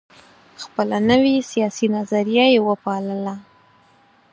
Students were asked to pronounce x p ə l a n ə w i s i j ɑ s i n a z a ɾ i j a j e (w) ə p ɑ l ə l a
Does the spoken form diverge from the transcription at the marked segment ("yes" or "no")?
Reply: no